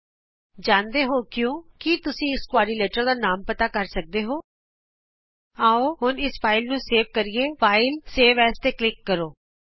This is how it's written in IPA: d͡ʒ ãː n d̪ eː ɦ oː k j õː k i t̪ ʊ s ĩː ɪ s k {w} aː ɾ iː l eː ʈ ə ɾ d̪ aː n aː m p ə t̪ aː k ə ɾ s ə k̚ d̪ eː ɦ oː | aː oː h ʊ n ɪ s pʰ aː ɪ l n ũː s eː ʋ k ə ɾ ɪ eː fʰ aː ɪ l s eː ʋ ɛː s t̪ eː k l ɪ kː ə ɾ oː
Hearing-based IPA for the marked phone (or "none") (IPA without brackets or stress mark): w